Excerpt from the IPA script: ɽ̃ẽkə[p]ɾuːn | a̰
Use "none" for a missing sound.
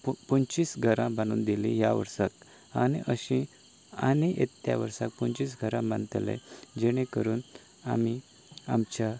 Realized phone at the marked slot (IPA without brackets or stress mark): none